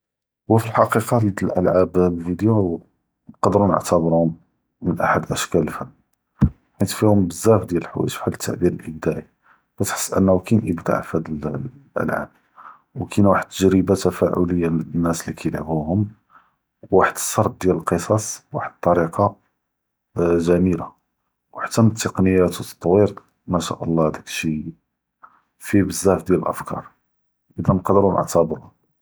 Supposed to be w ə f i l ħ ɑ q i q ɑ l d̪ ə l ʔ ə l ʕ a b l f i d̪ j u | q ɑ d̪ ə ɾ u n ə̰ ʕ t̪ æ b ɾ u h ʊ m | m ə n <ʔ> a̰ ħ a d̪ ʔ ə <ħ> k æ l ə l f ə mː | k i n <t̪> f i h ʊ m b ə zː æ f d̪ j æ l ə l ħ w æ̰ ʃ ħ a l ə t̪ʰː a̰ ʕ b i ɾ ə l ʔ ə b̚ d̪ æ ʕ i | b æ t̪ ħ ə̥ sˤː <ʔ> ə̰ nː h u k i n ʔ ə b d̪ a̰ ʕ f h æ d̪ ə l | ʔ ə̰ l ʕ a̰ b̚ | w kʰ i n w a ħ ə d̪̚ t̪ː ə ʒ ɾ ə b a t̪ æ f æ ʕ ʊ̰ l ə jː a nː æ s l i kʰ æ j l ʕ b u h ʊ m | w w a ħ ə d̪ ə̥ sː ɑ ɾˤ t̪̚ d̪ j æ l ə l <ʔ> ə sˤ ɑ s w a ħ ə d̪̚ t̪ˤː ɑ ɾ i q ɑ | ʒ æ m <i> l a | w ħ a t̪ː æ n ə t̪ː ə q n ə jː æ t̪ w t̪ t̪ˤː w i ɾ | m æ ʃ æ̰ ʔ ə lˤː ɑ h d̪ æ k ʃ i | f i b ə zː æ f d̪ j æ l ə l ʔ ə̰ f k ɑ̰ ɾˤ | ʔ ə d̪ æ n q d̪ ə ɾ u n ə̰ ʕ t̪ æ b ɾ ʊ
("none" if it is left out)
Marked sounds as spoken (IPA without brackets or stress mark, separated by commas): ʔ, ʃ, t̪, ʔ, q, i